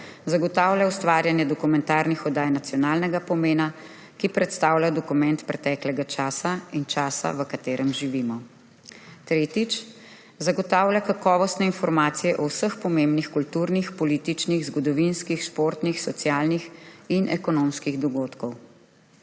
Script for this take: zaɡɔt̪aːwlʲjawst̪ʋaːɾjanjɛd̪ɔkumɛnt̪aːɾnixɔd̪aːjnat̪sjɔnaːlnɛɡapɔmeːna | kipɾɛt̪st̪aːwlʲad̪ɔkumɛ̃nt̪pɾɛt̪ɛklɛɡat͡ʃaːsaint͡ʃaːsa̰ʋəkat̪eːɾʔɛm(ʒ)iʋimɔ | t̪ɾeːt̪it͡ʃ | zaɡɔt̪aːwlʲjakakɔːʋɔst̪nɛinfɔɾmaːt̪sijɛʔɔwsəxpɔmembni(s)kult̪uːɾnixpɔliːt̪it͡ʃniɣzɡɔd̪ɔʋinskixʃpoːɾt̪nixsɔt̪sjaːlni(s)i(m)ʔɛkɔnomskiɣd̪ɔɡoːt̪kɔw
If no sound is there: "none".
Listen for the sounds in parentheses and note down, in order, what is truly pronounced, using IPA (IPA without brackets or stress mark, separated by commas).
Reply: ʒ, x, x, n